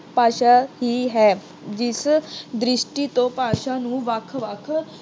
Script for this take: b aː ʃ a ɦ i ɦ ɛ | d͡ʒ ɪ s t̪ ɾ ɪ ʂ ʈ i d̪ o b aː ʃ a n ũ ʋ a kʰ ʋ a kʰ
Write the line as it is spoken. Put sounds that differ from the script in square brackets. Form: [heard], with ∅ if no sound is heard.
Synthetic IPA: [p] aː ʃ a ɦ i ɦ ɛ | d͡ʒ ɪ s [d̪] ɾ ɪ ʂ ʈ i [t̪] o [p] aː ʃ a n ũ ʋ a kʰ ʋ a kʰ